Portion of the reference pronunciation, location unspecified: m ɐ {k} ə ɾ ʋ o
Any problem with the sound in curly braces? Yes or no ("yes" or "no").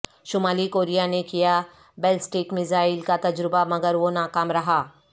yes